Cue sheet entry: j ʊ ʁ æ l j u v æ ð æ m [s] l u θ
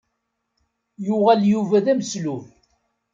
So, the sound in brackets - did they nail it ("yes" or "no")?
yes